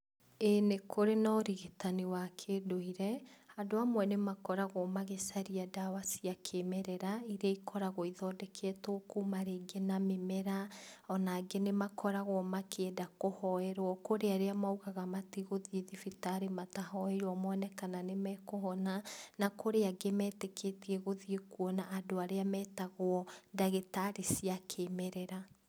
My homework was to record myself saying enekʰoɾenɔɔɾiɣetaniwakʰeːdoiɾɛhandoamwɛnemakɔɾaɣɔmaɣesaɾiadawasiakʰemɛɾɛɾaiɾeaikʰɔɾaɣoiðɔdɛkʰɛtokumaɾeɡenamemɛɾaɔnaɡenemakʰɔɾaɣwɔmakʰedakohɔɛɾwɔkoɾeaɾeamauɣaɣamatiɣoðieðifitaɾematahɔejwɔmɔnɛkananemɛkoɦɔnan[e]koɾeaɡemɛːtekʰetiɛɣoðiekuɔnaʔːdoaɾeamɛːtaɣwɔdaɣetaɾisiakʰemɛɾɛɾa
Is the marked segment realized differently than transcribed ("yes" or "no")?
yes